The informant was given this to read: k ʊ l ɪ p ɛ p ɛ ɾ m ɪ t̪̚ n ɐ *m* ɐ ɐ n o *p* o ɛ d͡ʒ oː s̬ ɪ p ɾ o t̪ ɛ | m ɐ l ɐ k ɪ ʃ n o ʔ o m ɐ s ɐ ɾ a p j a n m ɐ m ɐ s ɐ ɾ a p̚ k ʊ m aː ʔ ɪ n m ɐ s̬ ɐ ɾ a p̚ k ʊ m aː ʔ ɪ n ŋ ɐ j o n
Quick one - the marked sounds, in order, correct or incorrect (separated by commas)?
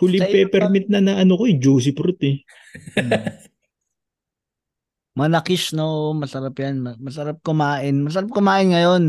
incorrect, incorrect